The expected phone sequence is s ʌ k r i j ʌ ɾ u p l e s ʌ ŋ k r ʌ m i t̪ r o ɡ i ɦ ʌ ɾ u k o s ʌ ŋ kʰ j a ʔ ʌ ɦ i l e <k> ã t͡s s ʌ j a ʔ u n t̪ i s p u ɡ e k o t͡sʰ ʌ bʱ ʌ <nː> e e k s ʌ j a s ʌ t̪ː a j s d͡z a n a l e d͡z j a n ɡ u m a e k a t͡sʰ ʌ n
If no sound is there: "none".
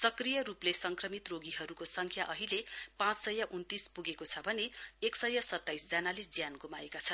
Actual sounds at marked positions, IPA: p, n

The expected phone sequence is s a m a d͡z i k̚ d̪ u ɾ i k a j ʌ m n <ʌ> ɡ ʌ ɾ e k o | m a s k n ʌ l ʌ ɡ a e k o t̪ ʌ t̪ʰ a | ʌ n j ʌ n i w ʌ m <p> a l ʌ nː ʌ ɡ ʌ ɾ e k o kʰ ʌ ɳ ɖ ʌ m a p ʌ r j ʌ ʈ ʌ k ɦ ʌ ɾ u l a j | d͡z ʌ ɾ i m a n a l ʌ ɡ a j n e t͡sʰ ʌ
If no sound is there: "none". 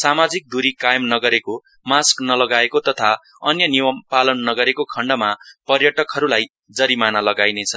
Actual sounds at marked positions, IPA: ʌ, p

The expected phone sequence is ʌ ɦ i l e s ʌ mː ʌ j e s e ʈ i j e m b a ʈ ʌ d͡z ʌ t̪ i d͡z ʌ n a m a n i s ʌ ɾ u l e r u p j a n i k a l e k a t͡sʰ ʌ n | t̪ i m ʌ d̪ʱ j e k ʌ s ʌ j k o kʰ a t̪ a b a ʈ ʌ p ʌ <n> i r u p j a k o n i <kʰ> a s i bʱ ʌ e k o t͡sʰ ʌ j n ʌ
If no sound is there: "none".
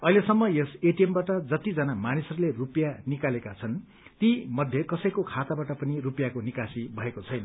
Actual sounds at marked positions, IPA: n, k

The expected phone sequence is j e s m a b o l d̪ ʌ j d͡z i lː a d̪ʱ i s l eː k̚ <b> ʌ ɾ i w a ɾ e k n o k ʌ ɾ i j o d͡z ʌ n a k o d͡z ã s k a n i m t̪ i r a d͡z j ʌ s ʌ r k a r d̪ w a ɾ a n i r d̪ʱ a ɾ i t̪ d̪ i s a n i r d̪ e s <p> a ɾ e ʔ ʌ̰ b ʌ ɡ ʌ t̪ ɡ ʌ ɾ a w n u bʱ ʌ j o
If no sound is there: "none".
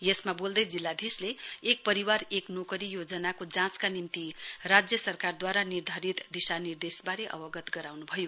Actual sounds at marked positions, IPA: p, b

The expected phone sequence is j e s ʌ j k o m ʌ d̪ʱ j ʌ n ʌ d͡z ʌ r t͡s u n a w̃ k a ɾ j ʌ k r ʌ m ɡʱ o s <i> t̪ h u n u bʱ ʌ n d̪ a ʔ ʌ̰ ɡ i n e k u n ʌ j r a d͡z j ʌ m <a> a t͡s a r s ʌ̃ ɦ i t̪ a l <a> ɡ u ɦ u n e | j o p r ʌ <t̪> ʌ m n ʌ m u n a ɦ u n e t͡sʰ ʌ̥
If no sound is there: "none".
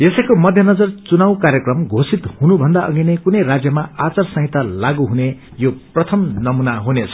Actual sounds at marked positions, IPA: i, a, a, t̪ʰ

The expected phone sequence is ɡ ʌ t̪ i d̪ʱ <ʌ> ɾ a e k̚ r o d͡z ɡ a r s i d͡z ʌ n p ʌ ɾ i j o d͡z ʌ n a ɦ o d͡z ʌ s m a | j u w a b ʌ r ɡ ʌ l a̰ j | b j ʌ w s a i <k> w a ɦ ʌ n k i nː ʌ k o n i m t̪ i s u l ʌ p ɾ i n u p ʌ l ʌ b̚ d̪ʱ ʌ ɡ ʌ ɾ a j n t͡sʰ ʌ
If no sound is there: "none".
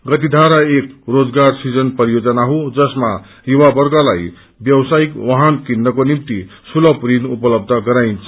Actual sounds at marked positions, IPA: a, k

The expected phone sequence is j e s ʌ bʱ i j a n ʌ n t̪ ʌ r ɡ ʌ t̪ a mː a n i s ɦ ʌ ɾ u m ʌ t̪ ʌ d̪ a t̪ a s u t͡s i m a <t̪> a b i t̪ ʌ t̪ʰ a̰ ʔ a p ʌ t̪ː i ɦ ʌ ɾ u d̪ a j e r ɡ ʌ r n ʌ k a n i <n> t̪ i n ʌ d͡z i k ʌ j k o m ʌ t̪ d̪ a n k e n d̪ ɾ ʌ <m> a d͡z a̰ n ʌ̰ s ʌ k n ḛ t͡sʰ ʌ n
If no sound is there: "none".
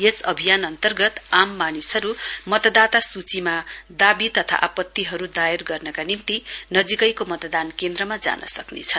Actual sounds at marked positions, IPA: d̪, m, m

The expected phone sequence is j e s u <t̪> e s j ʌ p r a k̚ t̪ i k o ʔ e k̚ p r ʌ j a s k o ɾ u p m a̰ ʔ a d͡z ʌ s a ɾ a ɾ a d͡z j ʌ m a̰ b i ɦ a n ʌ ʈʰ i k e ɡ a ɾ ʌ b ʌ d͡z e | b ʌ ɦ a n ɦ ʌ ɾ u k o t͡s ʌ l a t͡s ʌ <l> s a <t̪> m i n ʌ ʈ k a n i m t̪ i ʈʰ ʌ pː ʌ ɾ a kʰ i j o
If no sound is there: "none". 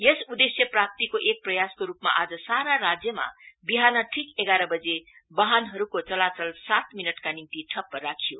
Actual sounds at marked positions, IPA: d̪, l, t̪

